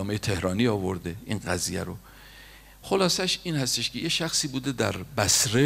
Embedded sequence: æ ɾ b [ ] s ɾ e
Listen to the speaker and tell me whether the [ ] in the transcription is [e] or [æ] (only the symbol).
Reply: æ